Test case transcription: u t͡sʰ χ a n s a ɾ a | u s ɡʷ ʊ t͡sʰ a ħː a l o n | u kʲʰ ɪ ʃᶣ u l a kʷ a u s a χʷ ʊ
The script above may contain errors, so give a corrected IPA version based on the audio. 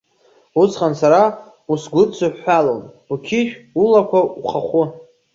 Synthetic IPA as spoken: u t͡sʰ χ a n s a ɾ a | u s ɡʷ ʊ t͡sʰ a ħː a l o n | u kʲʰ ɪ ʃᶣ u l a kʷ a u χ a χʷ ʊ

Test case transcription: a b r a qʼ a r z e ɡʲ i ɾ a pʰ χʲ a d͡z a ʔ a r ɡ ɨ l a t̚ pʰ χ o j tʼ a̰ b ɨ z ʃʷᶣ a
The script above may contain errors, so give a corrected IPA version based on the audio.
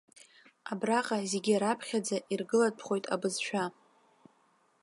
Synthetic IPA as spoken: a b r a qʼ a z e ɡʲ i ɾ a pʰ χʲ a d͡z a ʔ i r ɡ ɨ l a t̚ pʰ χ o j tʼ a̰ b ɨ z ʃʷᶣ a

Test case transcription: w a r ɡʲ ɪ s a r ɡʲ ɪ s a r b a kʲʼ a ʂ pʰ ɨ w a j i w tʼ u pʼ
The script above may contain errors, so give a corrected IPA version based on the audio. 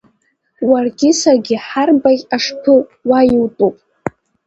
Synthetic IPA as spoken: w a r ɡʲ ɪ s a r ɡʲ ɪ ħ a r b a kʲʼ a ʂ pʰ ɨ w a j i w tʼ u pʼ

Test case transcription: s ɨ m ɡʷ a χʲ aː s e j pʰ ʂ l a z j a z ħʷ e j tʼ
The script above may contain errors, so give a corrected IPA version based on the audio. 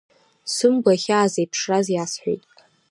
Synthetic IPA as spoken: s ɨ m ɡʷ a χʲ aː z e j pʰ ʂ r a z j a s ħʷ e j tʼ

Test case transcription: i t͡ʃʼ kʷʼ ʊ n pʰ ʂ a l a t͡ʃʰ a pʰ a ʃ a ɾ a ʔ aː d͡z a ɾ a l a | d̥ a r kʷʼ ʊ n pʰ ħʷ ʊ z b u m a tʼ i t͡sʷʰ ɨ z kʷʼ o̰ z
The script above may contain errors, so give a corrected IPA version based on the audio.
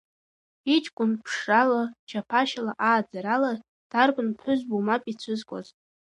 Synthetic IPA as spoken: i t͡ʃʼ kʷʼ ʊ n pʰ ʂ a l a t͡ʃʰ a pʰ a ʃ a l a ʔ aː d͡z a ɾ a l a | d̥ a r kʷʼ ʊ n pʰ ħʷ ʊ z b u m a pʼ i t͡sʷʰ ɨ z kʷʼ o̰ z

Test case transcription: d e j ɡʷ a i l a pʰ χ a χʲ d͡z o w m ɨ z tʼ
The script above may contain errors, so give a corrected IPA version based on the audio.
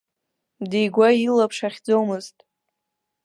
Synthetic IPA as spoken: d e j ɡʷ a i l a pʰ ʂ a χʲ d͡z o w m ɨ z tʼ

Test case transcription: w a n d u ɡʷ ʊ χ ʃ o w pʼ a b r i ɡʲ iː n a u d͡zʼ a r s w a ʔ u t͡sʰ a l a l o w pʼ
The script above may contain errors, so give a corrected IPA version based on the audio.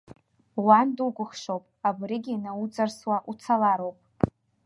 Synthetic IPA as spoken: w a n d u ɡʷ ʊ χ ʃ o w pʼ a b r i ɡʲ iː n a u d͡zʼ a r s w a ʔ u t͡sʰ a l a ɾ o w pʼ

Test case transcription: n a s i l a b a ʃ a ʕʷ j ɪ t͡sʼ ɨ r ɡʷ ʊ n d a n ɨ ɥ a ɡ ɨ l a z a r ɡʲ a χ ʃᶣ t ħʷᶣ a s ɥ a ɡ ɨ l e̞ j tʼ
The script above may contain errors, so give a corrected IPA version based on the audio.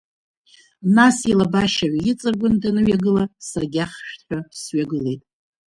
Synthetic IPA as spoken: n a s i l a b a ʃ a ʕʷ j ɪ t͡sʼ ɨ r ɡʷ ʊ n d a n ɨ ɥ a ɡ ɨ l a s a r ɡʲ a χ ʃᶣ t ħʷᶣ a s ɥ a ɡ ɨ l e̞ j tʼ

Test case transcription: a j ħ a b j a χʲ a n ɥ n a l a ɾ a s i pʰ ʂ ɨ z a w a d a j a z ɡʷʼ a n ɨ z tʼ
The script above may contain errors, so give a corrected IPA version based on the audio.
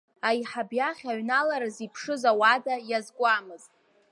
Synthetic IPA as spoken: a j ħ a b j a χʲ a ɥ n a l a ɾ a z i pʰ ʂ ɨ z a w a d a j a z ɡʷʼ a m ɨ z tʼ

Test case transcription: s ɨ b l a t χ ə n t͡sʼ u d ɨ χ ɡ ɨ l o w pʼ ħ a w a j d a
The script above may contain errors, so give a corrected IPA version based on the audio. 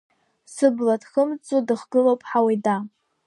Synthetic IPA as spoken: s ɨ b l a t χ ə m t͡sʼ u d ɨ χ ɡ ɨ l o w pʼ ħ a w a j d a

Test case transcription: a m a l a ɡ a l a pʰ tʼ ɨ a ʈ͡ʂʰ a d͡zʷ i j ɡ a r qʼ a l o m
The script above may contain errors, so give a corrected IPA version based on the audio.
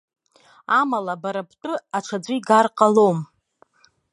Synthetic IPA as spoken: a m a l a b a ɾ a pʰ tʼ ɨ a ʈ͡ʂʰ a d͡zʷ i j ɡ a r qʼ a l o m

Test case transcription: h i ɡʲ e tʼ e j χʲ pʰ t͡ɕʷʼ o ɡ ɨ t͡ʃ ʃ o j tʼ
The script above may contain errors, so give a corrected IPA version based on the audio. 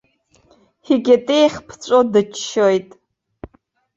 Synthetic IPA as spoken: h i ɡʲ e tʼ e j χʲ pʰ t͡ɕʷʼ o d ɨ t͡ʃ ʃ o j tʼ

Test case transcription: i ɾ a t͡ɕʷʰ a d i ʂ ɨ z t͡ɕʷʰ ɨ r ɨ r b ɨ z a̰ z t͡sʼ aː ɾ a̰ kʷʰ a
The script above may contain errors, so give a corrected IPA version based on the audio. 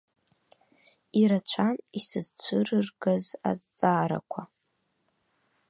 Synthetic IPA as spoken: i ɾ a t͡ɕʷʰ a n i s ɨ z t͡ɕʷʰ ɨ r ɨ r ɡ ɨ z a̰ z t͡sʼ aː ɾ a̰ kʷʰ a

